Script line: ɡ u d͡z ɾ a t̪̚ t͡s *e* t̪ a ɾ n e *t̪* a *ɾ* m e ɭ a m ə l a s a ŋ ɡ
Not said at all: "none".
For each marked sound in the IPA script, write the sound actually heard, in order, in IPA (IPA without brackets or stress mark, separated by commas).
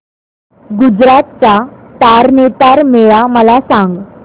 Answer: a, t̪, ɾ